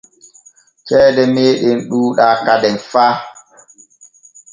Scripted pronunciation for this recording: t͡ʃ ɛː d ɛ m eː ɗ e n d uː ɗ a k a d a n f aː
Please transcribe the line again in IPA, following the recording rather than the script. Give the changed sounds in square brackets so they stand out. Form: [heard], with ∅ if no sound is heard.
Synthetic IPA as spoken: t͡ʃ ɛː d ɛ m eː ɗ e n [ɗ] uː ɗ a k a d [ɛ] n f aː